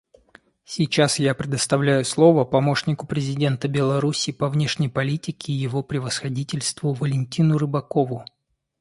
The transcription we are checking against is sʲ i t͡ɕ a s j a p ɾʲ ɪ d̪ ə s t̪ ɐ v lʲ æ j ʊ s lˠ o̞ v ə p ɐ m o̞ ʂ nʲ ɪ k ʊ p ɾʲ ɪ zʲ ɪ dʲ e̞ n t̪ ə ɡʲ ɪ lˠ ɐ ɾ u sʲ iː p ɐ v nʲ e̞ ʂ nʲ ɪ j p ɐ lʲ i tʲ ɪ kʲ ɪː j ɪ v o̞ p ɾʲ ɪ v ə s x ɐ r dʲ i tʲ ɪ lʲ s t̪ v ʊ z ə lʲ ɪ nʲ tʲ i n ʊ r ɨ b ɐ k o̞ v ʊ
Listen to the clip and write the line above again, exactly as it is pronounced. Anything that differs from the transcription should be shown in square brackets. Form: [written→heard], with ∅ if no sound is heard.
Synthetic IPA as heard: sʲ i t͡ɕ a s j a p ɾʲ ɪ d̪ ə s t̪ ɐ v lʲ æ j ʊ s lˠ o̞ v ə p ɐ m o̞ ʂ nʲ ɪ k ʊ p ɾʲ ɪ zʲ ɪ dʲ e̞ n t̪ ə [ɡʲ→bʲ] ɪ lˠ ɐ ɾ u sʲ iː p ɐ v nʲ e̞ ʂ nʲ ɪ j p ɐ lʲ i tʲ ɪ kʲ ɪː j ɪ v o̞ p ɾʲ ɪ v ə s x ɐ [r→∅] dʲ i tʲ ɪ lʲ s t̪ v ʊ [z→v] ə lʲ ɪ nʲ tʲ i n ʊ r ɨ b ɐ k o̞ v ʊ

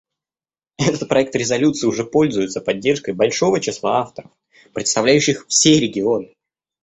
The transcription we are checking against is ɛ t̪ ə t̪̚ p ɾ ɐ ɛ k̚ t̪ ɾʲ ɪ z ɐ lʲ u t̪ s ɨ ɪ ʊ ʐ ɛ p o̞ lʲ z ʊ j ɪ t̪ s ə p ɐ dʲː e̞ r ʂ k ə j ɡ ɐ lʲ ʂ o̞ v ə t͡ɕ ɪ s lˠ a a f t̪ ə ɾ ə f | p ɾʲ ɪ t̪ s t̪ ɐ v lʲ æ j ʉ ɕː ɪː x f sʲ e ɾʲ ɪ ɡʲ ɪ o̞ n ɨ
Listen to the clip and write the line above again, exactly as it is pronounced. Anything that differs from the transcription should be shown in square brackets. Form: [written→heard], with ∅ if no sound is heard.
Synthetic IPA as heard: ɛ t̪ ə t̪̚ p ɾ ɐ ɛ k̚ t̪ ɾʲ ɪ z ɐ lʲ u t̪ s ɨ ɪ ʊ ʐ ɛ p o̞ lʲ z ʊ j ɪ t̪ s ə p ɐ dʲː e̞ r ʂ k ə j [ɡ→b] ɐ lʲ ʂ o̞ v ə t͡ɕ ɪ s lˠ a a f t̪ ə ɾ ə f | p ɾʲ ɪ t̪ s t̪ ɐ v lʲ æ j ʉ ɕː [ɪː→ɪ] x f sʲ e ɾʲ ɪ ɡʲ ɪ o̞ n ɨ

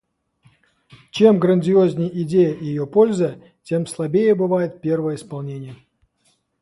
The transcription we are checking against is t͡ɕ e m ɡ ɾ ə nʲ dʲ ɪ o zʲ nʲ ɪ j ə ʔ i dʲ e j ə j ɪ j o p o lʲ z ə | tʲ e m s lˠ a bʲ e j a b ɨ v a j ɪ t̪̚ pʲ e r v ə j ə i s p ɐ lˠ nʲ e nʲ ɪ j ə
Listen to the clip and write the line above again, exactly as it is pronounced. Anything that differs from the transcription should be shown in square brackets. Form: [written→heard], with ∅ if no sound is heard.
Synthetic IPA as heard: t͡ɕ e m ɡ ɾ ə nʲ dʲ ɪ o zʲ nʲ ɪ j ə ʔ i dʲ e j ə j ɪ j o p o lʲ z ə | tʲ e m s lˠ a bʲ e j [a→ə] b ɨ v a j ɪ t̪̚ pʲ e r v ə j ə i s p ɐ lˠ nʲ e nʲ ɪ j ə

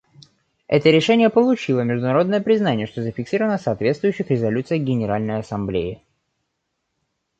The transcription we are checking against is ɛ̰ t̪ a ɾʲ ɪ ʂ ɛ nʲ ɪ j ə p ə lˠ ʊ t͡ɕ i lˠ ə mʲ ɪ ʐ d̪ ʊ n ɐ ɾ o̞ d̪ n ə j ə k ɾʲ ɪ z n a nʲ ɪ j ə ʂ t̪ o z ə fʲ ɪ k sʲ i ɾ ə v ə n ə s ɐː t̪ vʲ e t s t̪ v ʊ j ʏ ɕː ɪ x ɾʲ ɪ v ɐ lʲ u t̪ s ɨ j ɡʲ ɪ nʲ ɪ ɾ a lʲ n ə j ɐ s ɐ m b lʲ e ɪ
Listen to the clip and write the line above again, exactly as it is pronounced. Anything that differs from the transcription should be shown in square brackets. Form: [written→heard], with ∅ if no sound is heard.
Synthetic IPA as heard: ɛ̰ t̪ [a→ə] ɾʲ ɪ ʂ ɛ nʲ ɪ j ə p ə lˠ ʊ t͡ɕ i lˠ ə mʲ ɪ ʐ d̪ ʊ n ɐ ɾ o̞ d̪ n ə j ə [k→p] ɾʲ ɪ z n a nʲ ɪ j ə ʂ t̪ o z ə fʲ ɪ k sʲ i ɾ ə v ə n ə s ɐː t̪ vʲ e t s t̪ v ʊ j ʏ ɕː ɪ x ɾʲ ɪ [v→z] ɐ lʲ u t̪ s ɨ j ɡʲ ɪ nʲ ɪ ɾ a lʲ n ə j ɐ s ɐ m b lʲ e ɪ

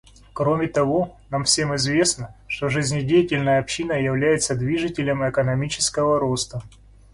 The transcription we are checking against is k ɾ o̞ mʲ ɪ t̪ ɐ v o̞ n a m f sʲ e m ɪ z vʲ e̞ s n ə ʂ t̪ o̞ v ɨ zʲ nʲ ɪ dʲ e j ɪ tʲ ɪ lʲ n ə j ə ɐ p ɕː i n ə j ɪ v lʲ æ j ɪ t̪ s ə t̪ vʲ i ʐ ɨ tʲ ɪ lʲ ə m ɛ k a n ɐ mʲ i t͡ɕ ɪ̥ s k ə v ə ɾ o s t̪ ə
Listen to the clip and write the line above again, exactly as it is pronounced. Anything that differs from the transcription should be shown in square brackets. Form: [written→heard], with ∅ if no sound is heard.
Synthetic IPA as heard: k ɾ o̞ mʲ ɪ t̪ ɐ v o̞ n a m f sʲ e m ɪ z vʲ e̞ s n ə ʂ t̪ o̞ [v→ʐ] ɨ zʲ nʲ ɪ dʲ e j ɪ tʲ ɪ lʲ n ə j ə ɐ p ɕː i n ə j ɪ v lʲ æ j ɪ t̪ s ə [t̪→d̪] vʲ i ʐ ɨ tʲ ɪ lʲ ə m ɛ k [a→ə] n ɐ mʲ i t͡ɕ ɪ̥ s k ə v ə ɾ o s t̪ ə

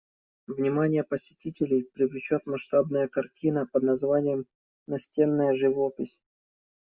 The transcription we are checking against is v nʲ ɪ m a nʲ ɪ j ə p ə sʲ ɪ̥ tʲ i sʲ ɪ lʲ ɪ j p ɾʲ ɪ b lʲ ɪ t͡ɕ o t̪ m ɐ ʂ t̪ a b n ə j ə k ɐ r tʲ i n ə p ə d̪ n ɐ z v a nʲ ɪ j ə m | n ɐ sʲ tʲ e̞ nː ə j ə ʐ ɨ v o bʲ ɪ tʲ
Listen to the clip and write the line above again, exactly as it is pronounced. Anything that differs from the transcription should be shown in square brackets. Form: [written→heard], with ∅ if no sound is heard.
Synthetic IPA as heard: v nʲ ɪ m a nʲ ɪ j ə p ə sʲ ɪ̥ tʲ i [sʲ→tʲ] ɪ lʲ ɪ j p ɾʲ ɪ [b→v] lʲ ɪ t͡ɕ o t̪ m ɐ ʂ t̪ a b n ə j ə k ɐ r tʲ i n ə p ə d̪ n ɐ z v a nʲ ɪ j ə m | n ɐ sʲ tʲ e̞ nː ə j ə ʐ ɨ v o [bʲ→pʲ] ɪ [tʲ→sʲ]

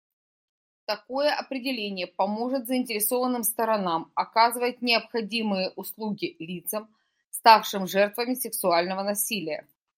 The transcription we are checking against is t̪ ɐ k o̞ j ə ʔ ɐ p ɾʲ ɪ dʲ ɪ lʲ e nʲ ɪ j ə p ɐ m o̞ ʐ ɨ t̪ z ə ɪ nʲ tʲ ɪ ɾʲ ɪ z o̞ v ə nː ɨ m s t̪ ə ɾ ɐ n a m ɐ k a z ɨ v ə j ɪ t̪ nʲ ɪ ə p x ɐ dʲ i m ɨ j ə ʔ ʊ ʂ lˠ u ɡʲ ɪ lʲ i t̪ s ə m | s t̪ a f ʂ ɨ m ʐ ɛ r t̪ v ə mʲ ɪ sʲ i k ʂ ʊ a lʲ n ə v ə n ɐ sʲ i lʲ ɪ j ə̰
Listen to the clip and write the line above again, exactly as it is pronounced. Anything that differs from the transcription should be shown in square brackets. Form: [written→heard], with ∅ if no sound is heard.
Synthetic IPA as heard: t̪ ɐ k o̞ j ə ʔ ɐ p ɾʲ ɪ dʲ ɪ lʲ e nʲ ɪ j ə p ɐ m o̞ ʐ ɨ t̪ z ə ɪ nʲ tʲ ɪ ɾʲ ɪ [z→s] o̞ v ə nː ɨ m s t̪ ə ɾ ɐ n a m ɐ k a z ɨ v ə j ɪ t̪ nʲ ɪ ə p x ɐ dʲ i m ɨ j ə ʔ ʊ [ʂ→s] lˠ u ɡʲ ɪ lʲ i t̪ s ə m | s t̪ a f ʂ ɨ m ʐ ɛ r t̪ v ə mʲ ɪ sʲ [i→ɪ] k [ʂ→s] ʊ a lʲ n ə v ə n ɐ sʲ i lʲ ɪ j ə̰

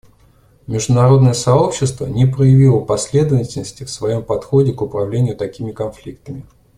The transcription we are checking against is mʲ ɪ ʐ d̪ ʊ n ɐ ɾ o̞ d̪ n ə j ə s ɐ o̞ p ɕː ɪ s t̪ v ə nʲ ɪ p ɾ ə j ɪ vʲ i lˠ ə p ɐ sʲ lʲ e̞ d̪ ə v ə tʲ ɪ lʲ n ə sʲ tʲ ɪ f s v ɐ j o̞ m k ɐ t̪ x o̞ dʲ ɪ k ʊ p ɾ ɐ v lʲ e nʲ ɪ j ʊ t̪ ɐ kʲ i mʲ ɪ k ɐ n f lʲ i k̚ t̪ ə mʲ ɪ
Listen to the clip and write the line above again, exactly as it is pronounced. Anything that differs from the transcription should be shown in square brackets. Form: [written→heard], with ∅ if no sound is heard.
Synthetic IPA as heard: mʲ ɪ ʐ d̪ ʊ n ɐ ɾ o̞ d̪ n ə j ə s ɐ o̞ p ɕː ɪ s t̪ v ə nʲ ɪ p ɾ ə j ɪ vʲ i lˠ ə p ɐ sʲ lʲ e̞ d̪ ə v ə tʲ ɪ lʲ n ə sʲ tʲ ɪ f s v ɐ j o̞ m [k→p] ɐ t̪ x o̞ dʲ ɪ k ʊ p ɾ ɐ v lʲ e nʲ ɪ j ʊ t̪ ɐ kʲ i mʲ ɪ k ɐ n f lʲ i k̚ t̪ ə mʲ ɪ

